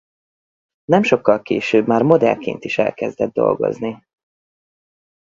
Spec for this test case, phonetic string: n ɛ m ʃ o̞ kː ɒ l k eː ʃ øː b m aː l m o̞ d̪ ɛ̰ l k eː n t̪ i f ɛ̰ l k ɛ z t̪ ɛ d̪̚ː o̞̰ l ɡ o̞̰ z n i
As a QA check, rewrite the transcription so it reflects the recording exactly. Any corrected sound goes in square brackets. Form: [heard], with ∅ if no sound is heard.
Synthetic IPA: n ɛ m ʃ o̞ kː ɒ l k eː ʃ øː b m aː [r] m o̞ d̪ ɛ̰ l k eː n t̪ i [ʃ] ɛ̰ l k ɛ z [d̪] ɛ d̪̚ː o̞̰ l ɡ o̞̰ z n i